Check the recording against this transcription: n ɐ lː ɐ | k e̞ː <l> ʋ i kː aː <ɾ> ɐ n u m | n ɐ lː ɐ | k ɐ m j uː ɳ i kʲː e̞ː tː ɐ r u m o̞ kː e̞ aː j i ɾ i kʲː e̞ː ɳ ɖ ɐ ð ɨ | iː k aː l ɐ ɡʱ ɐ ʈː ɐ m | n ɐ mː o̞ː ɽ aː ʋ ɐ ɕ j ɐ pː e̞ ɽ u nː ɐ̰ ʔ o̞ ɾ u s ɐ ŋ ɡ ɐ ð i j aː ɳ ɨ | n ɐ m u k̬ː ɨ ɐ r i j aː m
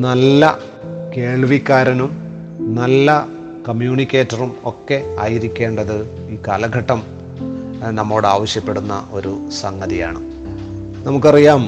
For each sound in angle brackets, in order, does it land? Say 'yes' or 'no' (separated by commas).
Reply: no, yes